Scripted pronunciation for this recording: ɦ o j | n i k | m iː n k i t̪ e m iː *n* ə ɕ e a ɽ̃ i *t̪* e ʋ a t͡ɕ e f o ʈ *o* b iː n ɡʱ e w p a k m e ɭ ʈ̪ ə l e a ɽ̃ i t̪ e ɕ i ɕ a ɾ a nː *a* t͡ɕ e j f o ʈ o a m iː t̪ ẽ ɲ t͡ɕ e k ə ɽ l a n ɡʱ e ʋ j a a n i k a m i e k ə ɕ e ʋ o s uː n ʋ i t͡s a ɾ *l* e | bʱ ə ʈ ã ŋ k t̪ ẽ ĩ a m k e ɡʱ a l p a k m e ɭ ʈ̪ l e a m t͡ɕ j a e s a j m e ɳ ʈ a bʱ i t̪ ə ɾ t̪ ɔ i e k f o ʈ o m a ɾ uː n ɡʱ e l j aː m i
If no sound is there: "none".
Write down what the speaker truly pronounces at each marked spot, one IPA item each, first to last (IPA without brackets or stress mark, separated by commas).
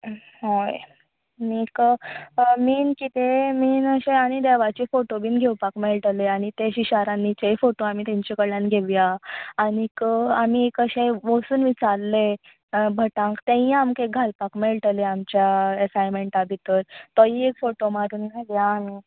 n, d̪, o, i, l